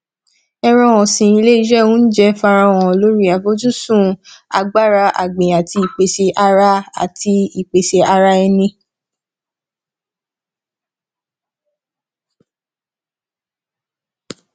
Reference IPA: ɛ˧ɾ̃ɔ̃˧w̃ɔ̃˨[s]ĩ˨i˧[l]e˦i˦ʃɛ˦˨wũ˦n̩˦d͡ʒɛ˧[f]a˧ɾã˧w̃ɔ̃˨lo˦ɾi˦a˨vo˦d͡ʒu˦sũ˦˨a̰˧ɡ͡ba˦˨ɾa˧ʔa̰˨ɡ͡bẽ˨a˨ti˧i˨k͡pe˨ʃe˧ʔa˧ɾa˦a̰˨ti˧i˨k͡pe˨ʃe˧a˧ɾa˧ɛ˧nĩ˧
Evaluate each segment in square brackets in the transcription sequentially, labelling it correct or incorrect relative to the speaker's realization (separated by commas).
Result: correct, correct, correct